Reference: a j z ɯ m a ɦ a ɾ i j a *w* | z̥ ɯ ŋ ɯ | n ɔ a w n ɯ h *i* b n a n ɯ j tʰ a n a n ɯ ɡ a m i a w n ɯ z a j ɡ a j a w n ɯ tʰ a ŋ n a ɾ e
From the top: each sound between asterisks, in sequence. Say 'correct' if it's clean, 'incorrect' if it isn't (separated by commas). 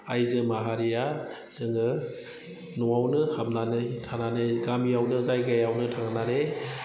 incorrect, incorrect